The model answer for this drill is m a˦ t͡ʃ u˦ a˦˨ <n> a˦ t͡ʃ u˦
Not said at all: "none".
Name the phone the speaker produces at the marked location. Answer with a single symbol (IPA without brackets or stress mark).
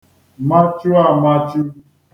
m